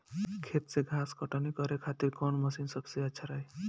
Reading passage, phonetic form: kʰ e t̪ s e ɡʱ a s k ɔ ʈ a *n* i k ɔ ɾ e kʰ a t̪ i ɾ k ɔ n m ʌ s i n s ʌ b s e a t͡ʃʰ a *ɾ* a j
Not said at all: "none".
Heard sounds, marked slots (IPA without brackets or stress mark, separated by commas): n, ɾ